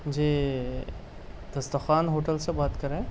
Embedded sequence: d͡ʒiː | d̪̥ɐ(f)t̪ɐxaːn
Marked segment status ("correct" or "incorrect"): incorrect